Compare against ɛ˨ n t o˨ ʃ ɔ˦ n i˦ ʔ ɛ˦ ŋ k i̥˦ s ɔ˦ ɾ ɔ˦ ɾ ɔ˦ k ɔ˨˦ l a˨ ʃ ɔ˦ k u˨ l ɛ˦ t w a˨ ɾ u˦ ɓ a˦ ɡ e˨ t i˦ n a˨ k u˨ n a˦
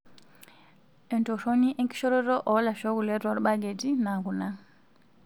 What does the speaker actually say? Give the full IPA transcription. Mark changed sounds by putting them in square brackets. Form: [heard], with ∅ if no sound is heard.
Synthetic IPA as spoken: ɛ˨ n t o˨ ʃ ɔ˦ n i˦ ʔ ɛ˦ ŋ k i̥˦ [ʃ] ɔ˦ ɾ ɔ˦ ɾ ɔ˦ [ʔ] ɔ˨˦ l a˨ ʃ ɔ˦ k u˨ l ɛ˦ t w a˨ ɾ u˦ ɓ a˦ ɡ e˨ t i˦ n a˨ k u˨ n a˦